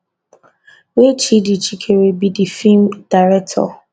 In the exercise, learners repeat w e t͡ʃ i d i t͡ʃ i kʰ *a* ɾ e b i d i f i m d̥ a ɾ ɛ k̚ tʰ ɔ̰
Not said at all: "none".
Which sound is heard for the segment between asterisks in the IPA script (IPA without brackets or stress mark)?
e